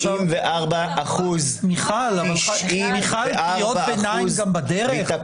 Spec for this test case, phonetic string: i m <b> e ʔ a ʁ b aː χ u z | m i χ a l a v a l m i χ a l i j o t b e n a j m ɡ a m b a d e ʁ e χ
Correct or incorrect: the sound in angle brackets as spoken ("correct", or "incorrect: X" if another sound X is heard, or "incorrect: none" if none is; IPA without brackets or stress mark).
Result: incorrect: v